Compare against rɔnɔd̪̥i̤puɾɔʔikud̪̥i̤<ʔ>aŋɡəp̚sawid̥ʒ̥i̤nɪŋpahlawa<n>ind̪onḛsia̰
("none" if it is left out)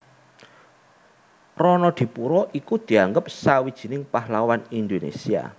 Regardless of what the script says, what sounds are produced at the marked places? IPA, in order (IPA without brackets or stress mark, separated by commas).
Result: none, n